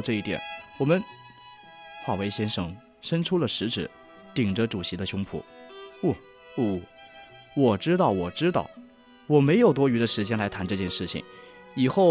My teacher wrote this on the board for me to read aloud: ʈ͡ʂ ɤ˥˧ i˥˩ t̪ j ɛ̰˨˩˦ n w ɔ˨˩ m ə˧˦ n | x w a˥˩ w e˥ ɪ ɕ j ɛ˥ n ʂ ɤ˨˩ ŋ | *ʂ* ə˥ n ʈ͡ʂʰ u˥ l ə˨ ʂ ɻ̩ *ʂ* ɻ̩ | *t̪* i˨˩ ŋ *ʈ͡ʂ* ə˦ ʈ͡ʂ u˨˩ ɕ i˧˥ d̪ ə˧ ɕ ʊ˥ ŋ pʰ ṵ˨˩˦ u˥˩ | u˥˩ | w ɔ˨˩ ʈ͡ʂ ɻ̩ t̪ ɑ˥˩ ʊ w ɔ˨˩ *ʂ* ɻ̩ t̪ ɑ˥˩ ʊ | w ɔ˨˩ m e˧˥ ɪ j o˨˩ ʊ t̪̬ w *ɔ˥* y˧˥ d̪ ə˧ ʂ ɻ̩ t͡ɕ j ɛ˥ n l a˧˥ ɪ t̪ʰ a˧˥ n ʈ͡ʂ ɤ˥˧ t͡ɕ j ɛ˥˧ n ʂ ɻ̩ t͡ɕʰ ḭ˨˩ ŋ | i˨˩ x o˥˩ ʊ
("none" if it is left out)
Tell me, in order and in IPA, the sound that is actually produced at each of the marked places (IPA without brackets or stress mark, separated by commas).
ʂ, ʈ͡ʂ, t̪, ʈ͡ʂ, ʈ͡ʂ, ɔ˥